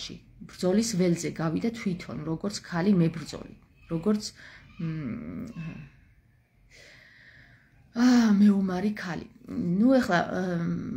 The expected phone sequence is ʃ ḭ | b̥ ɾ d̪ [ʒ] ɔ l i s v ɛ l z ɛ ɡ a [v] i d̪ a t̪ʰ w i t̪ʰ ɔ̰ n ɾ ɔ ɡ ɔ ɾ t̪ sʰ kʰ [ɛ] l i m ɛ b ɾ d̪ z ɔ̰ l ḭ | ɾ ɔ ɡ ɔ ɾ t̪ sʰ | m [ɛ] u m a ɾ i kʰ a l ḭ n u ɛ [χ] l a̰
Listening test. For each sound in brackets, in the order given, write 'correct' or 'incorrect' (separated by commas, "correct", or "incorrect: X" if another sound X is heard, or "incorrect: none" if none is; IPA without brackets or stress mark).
incorrect: z, correct, incorrect: a, correct, correct